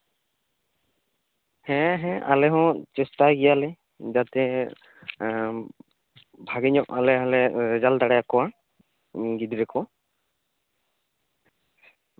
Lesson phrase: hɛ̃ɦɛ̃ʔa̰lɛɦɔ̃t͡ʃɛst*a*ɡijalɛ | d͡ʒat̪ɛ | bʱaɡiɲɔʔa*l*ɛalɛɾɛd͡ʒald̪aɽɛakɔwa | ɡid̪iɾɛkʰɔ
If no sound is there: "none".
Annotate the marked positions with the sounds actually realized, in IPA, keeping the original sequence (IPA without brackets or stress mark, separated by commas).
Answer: a, l